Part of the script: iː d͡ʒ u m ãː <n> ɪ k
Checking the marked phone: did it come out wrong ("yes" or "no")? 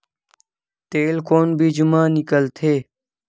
no